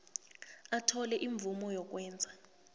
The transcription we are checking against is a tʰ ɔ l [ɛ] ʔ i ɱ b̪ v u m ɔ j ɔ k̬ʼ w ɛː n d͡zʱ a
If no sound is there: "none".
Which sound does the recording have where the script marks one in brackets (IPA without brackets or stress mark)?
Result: ɛ